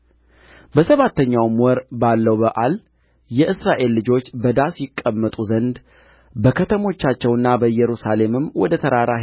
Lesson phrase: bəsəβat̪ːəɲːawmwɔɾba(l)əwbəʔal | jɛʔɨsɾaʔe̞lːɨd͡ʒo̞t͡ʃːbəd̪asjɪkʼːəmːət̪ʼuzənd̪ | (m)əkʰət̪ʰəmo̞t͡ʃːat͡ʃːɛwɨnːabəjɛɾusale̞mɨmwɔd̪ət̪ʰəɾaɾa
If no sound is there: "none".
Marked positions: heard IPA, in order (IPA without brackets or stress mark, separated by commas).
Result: lː, b